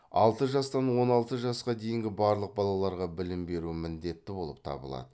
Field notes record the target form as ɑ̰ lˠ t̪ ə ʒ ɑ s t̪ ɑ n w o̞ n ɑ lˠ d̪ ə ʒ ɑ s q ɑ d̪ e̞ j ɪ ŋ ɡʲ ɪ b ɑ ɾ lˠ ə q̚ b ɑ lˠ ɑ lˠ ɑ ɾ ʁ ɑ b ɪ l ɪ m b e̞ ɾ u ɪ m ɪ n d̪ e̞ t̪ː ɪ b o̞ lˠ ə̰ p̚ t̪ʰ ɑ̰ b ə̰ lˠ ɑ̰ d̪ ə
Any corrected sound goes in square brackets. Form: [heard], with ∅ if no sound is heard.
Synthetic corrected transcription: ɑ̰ lˠ t̪ ə ʒ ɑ s t̪ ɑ n w o̞ n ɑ lˠ [t̪] ə ʒ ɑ s q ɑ d̪ e̞ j ɪ ŋ ɡʲ ɪ b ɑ ɾ lˠ ə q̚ b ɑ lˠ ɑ lˠ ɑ ɾ ʁ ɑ b ɪ l ɪ m b e̞ ɾ u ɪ m ɪ n d̪ e̞ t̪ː ɪ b o̞ lˠ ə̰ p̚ t̪ʰ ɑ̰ b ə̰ lˠ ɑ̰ d̪ ə